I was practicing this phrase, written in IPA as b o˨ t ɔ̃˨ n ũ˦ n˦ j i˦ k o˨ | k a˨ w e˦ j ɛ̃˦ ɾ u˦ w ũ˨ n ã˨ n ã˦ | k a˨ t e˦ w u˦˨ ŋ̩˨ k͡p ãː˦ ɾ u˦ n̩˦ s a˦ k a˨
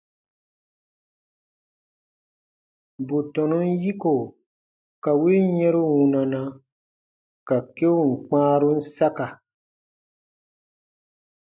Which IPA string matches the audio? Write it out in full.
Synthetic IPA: b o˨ t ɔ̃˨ n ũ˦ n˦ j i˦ k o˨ | k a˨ w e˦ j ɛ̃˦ ɾ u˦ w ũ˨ n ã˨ n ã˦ | k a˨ k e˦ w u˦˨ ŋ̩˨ k͡p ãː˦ ɾ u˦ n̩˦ s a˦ k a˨